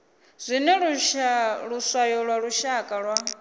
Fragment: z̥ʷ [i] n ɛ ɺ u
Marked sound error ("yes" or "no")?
no